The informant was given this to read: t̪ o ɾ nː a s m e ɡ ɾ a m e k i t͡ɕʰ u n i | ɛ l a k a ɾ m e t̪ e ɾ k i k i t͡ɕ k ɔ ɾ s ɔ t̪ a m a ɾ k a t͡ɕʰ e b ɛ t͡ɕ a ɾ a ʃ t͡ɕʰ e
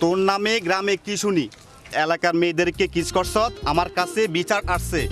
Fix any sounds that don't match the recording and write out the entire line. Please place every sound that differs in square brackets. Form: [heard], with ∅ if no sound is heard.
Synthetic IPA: t̪ o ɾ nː a [∅] m e ɡ ɾ a m e k i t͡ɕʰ u n i | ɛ l a k a ɾ m e [d̪] e ɾ k [e] k i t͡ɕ k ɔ ɾ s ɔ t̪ a m a ɾ k a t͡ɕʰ e b [i] t͡ɕ a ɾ a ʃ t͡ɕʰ e